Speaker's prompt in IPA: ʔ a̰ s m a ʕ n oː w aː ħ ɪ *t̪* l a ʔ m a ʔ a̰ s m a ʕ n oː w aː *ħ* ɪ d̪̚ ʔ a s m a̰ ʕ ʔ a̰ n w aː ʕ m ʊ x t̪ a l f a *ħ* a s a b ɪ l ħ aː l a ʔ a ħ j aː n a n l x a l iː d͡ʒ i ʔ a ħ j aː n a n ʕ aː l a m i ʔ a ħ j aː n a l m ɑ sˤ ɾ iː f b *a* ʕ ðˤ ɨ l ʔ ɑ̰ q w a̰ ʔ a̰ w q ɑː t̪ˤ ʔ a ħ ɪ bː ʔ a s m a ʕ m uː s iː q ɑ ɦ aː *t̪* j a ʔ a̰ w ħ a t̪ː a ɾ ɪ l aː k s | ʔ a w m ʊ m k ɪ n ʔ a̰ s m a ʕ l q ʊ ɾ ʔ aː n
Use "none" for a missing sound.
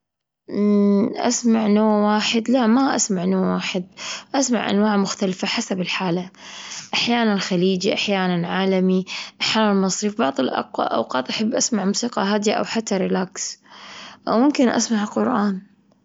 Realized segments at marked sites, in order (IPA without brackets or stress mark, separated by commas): d̪, ħ, ħ, ɑ, d̪